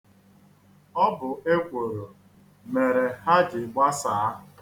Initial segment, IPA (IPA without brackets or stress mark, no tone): ɔ